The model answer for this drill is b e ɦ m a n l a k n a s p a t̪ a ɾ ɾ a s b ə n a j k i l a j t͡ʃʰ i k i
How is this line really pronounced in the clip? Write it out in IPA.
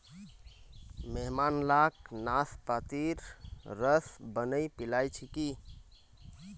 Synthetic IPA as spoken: m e ɦ m a n l a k n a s p a t̪ i ɾ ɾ ə s b ə n ə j p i l a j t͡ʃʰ i k i